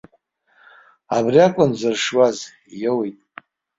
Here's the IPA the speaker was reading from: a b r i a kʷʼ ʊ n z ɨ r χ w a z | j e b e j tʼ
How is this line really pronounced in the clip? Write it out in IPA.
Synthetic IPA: a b r i a kʷʼ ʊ n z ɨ r ʂ w a z | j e w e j tʼ